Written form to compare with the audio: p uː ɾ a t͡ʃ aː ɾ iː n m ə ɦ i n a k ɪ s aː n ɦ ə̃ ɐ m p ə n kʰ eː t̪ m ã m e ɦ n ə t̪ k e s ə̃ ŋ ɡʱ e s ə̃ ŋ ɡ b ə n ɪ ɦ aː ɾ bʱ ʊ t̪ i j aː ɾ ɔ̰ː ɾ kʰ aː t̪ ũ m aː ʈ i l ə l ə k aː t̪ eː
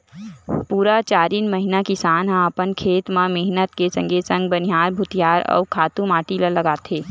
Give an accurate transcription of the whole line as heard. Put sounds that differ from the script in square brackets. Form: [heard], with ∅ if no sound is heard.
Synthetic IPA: p uː ɾ a t͡ʃ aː ɾ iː n m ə ɦ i n a k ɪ s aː n ɦ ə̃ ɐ [∅] p ə n kʰ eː t̪ m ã m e ɦ n ə t̪ k e s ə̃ ŋ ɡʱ e s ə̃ ŋ ɡ b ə n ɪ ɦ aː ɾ bʱ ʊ t̪ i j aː ɾ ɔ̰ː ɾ kʰ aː t̪ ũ m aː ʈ i l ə l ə [ɡ] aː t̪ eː